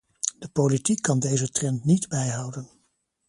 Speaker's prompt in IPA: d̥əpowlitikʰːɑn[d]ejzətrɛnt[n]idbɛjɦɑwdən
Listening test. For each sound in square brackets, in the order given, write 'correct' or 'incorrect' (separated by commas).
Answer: correct, correct